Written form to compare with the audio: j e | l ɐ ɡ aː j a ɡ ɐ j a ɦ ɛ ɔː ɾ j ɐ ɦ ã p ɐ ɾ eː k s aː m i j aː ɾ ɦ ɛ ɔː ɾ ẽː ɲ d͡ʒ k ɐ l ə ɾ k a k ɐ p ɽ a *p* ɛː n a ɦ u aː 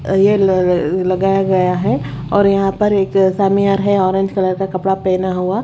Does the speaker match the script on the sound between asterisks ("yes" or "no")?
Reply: yes